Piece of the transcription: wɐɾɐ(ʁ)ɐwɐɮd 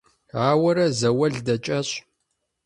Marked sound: incorrect: z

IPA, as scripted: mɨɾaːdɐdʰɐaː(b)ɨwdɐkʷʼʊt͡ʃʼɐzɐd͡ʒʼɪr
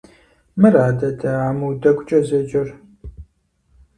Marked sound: incorrect: m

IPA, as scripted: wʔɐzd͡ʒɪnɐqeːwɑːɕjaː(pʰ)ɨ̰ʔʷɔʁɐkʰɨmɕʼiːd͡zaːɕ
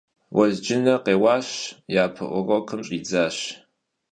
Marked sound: correct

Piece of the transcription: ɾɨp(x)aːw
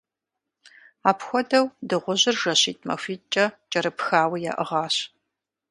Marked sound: correct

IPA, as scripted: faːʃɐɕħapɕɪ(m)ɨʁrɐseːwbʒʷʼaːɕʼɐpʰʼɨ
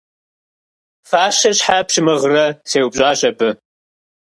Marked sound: correct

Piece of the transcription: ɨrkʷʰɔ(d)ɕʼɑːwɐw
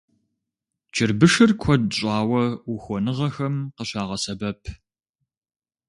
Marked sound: correct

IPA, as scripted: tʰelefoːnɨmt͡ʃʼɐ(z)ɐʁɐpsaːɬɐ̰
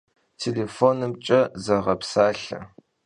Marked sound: correct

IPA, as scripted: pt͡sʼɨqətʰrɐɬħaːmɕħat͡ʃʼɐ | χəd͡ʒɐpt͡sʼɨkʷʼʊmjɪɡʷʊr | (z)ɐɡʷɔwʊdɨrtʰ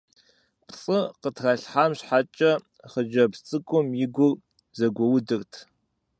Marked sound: correct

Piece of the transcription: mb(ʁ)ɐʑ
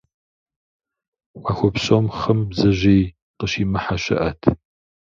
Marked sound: incorrect: z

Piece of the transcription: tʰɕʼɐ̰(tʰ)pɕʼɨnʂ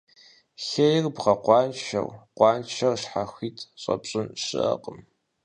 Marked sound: incorrect: none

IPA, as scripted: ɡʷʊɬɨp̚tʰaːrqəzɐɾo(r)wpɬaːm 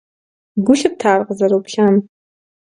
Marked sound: incorrect: none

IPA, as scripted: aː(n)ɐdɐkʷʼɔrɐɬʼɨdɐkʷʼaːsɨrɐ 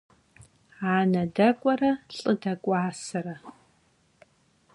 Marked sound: correct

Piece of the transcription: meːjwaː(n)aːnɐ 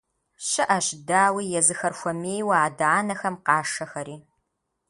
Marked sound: incorrect: d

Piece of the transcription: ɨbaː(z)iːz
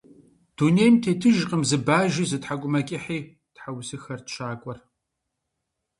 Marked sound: incorrect: ʒ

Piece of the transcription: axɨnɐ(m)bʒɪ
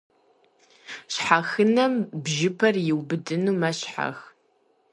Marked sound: correct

